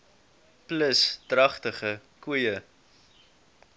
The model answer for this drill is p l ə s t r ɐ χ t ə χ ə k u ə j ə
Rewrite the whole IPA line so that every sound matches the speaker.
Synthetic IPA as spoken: p l ə s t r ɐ χ t ə χ ə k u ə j ə